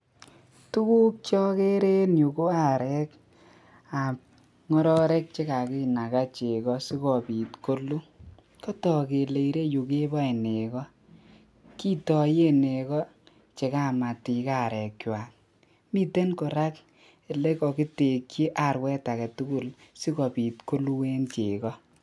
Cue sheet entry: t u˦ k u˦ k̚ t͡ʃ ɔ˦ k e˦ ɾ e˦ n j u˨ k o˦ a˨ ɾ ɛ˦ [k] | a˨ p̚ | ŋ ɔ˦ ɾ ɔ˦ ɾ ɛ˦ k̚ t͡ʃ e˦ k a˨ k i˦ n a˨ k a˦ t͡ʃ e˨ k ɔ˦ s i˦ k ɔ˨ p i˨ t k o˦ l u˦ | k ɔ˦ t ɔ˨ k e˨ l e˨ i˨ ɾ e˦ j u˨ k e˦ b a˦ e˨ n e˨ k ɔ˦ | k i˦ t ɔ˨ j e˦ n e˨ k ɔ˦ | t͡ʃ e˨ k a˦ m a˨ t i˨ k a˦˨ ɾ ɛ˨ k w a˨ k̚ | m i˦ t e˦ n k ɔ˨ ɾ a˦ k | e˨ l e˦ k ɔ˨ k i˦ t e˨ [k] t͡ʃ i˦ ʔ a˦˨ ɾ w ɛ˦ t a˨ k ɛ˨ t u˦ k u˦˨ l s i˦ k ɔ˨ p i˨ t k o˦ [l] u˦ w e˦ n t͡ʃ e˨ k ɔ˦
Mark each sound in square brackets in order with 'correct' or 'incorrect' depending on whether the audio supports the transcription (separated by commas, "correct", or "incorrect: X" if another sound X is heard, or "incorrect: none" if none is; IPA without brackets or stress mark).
correct, correct, correct